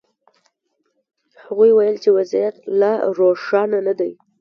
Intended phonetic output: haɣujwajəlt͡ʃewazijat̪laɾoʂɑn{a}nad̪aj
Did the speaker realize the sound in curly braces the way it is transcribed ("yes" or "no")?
yes